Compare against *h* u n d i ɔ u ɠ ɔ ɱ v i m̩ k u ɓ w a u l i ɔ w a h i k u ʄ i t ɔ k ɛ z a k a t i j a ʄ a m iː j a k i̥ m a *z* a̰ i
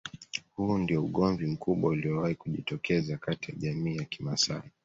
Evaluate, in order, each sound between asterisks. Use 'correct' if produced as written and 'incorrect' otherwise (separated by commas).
correct, incorrect